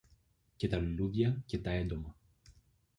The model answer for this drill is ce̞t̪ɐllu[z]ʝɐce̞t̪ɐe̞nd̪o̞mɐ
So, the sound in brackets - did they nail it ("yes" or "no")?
no